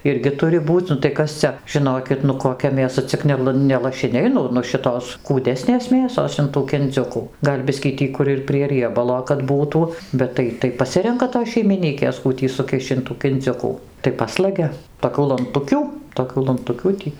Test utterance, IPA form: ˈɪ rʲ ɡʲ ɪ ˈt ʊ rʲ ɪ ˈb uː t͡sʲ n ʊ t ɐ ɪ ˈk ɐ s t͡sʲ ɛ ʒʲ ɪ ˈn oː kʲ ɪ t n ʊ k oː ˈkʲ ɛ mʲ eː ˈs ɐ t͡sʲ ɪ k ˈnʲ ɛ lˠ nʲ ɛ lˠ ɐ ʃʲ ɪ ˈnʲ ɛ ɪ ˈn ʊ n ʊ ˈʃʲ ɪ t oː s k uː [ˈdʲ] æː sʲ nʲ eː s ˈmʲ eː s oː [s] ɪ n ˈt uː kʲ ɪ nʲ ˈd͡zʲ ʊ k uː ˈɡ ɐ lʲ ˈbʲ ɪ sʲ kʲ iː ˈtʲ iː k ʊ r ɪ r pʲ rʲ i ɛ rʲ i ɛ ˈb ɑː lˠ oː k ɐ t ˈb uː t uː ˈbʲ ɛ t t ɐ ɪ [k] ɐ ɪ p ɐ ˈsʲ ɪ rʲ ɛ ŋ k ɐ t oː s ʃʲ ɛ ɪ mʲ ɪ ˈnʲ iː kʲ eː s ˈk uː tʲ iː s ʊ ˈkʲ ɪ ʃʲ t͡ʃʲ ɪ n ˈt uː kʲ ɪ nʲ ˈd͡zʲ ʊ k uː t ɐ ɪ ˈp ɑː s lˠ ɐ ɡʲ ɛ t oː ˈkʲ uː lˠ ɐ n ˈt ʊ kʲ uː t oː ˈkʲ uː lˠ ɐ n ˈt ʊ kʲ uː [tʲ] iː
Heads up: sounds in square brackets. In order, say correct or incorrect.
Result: correct, correct, incorrect: t, correct

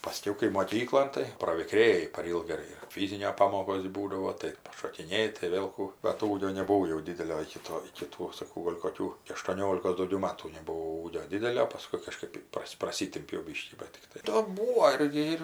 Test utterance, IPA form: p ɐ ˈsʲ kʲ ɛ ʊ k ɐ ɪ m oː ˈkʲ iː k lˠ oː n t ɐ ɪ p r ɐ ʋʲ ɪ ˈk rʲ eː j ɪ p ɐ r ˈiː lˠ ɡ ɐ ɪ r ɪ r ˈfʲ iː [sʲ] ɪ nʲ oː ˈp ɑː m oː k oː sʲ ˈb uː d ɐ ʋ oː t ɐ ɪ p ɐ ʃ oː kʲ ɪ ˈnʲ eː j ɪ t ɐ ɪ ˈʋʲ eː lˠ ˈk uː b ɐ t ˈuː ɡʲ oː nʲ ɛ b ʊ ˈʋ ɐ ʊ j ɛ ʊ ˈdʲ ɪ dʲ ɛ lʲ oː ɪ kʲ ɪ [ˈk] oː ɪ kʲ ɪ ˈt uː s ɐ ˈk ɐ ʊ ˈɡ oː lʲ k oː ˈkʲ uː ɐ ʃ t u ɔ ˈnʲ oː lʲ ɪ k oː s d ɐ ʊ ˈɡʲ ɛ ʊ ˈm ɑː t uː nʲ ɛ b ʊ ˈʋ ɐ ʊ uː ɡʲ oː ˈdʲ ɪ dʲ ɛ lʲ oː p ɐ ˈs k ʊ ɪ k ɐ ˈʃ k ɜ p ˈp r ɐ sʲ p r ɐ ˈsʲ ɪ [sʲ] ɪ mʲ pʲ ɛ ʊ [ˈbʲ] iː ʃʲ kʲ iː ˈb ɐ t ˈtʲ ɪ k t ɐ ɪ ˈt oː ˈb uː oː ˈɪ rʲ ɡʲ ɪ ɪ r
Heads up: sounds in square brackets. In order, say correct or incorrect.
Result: incorrect: zʲ, incorrect: t, incorrect: tʲ, correct

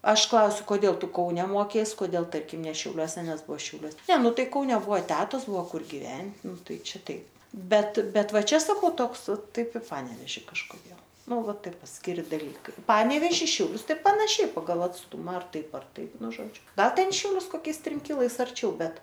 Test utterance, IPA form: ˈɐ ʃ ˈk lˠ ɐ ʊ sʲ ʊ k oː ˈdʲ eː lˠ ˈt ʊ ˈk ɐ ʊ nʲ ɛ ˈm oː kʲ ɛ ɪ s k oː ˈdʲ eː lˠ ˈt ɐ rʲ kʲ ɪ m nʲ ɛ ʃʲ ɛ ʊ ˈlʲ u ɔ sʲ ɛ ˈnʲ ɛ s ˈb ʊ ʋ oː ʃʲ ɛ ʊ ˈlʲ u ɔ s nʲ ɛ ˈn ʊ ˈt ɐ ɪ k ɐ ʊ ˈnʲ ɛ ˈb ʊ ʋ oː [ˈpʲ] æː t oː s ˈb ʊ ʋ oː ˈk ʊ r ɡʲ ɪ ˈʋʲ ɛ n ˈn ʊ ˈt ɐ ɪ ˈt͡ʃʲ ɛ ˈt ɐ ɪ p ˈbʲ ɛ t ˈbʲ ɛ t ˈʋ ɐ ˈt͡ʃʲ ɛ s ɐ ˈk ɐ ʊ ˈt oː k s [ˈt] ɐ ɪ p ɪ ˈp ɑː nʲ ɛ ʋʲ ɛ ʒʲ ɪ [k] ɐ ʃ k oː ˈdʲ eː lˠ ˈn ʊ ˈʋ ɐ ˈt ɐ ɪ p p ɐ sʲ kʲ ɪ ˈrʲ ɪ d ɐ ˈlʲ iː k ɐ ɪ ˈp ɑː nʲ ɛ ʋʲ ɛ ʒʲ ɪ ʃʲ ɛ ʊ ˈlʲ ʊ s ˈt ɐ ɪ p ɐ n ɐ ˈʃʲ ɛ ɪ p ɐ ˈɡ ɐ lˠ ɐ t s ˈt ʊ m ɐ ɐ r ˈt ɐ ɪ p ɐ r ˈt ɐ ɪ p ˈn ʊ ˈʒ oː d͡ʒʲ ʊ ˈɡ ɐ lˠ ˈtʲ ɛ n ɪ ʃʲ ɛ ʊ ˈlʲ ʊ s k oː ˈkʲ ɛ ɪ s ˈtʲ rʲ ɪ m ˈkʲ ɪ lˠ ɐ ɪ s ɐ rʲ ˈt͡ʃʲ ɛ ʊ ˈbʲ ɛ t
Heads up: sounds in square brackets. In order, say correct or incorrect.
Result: incorrect: tʲ, correct, correct

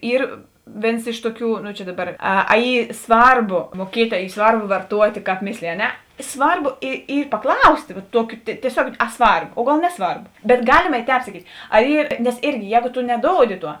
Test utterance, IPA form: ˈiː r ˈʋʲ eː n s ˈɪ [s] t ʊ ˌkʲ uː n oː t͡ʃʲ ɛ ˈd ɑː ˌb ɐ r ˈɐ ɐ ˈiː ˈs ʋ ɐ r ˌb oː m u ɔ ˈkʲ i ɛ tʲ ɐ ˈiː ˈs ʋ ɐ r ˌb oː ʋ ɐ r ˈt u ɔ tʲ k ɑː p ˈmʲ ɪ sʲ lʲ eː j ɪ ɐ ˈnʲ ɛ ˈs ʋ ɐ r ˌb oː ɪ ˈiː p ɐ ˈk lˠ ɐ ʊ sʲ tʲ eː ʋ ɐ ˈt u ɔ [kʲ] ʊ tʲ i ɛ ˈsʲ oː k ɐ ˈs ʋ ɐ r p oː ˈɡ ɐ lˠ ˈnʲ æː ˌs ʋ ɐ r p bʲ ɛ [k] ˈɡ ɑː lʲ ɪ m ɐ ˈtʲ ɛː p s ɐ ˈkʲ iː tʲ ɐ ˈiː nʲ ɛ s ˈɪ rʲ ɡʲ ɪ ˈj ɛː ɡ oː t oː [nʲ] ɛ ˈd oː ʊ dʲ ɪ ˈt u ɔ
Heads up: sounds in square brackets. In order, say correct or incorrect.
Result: incorrect: ʃ, correct, incorrect: t, correct

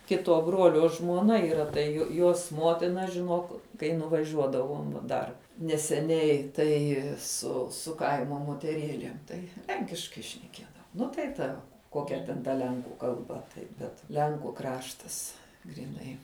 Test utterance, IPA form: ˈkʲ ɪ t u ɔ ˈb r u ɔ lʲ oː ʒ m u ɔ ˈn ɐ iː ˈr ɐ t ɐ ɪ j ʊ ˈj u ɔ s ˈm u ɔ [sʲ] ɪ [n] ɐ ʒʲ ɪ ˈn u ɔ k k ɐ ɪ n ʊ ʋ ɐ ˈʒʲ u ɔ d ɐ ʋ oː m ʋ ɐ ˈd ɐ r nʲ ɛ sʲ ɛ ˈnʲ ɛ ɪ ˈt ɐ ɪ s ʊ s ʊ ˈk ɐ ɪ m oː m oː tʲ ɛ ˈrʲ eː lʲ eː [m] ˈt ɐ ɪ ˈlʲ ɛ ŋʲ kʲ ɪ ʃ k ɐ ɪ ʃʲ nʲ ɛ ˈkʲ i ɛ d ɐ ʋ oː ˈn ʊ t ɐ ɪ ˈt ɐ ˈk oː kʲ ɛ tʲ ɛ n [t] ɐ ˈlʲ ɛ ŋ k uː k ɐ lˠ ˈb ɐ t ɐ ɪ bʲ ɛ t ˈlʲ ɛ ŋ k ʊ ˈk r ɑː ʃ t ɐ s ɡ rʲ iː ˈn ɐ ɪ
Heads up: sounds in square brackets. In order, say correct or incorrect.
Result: incorrect: tʲ, correct, correct, correct

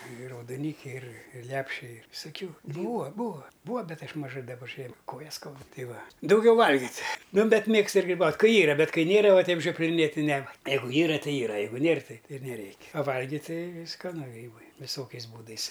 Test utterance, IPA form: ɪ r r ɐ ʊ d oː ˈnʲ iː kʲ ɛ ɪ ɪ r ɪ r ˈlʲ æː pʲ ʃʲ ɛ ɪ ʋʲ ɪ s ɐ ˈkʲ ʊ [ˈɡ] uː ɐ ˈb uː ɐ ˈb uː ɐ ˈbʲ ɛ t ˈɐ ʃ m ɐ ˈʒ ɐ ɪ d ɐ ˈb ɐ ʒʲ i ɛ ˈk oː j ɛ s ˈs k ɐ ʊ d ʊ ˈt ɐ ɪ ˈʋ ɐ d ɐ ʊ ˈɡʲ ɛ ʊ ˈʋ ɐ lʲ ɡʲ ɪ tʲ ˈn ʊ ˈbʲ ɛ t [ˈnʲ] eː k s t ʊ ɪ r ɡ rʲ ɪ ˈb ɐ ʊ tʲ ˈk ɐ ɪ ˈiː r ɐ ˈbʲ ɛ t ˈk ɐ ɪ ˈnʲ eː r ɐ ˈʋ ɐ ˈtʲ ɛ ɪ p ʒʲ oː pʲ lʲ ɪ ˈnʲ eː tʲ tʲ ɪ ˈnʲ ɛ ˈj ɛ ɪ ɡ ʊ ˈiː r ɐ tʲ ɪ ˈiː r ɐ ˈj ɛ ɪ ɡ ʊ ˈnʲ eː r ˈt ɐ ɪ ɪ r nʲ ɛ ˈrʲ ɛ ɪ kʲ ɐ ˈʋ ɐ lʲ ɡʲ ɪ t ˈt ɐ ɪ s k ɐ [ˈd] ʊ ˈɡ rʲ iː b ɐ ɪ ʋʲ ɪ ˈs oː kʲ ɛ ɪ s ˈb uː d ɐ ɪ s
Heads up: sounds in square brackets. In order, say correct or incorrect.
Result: incorrect: b, incorrect: mʲ, incorrect: n

